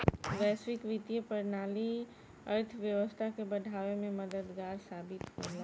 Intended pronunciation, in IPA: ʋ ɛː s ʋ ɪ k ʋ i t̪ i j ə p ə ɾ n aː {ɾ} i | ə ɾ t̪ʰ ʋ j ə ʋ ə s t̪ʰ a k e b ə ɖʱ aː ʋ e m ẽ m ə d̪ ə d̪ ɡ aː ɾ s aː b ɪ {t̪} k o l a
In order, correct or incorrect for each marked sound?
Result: incorrect, correct

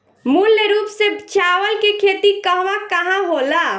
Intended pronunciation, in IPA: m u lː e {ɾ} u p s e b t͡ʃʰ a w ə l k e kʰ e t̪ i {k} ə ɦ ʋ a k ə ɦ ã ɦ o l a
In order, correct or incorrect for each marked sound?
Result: correct, correct

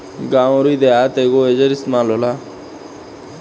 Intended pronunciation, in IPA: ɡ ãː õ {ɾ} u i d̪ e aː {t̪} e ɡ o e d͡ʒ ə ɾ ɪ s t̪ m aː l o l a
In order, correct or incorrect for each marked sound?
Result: correct, correct

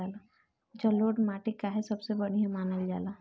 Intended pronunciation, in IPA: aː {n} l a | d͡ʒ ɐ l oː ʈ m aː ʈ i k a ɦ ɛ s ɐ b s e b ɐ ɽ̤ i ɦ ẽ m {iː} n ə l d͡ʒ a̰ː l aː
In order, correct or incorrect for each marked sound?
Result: incorrect, incorrect

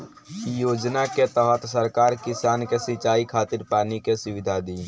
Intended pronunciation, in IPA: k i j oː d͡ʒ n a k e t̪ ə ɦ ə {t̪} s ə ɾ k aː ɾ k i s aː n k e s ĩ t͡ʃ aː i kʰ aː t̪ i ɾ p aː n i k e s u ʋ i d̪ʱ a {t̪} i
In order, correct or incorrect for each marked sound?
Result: correct, incorrect

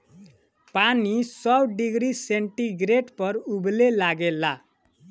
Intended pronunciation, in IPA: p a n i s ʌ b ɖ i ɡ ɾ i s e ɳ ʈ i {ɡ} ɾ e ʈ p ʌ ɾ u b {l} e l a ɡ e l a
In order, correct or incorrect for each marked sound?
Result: correct, correct

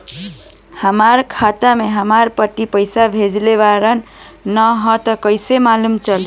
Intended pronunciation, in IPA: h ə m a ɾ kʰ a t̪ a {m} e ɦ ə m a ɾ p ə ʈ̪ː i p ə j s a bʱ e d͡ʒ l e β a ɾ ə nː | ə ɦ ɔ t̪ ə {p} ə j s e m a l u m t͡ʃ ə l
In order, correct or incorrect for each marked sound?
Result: correct, incorrect

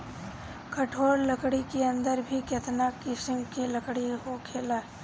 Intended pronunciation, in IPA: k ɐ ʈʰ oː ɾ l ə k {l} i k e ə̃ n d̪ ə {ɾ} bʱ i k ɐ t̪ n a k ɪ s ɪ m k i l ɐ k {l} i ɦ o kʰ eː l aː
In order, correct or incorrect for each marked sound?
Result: incorrect, correct, incorrect

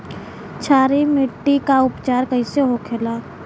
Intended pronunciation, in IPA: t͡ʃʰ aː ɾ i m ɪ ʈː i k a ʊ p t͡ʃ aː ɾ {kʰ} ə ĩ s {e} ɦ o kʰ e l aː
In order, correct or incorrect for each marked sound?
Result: incorrect, correct

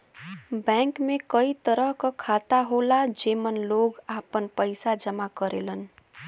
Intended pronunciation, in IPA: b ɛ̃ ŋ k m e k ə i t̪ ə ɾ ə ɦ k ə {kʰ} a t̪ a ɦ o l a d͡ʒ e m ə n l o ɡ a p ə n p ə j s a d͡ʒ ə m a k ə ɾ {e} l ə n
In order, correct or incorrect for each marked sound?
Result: correct, correct

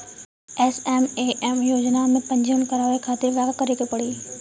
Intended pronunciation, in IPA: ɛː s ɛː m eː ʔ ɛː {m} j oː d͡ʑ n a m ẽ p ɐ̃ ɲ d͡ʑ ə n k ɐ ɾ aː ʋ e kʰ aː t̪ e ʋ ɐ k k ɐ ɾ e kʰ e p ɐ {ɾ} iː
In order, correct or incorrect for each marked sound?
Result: correct, incorrect

